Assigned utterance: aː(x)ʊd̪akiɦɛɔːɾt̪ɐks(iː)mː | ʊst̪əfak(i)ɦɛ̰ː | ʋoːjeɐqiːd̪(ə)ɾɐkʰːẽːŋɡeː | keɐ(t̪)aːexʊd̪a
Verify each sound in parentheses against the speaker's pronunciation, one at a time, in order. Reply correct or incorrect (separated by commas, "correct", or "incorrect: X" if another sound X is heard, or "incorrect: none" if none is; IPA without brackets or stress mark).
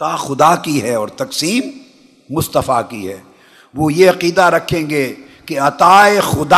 correct, correct, correct, incorrect: a, correct